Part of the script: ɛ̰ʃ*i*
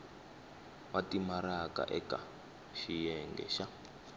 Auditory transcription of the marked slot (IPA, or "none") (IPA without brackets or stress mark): a